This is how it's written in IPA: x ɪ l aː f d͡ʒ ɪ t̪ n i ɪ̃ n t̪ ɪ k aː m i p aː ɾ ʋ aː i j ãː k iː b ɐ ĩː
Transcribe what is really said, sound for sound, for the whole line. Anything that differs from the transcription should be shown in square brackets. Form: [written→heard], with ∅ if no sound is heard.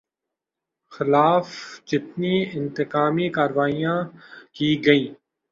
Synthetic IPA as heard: x ɪ l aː f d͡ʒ ɪ t̪ n i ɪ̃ n t̪ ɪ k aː m i [p→k] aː ɾ ʋ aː i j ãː k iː [b→ɡ] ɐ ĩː